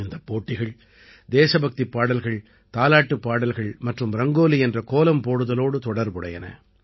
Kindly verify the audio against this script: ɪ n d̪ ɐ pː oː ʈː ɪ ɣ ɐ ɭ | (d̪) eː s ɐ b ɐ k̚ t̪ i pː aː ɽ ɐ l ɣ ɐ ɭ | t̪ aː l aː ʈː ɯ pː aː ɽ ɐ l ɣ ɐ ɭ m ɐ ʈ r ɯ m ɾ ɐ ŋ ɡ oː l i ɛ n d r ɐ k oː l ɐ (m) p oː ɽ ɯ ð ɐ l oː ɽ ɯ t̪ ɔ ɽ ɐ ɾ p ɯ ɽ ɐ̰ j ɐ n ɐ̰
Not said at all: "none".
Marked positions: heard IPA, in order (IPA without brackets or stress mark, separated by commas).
d̪, m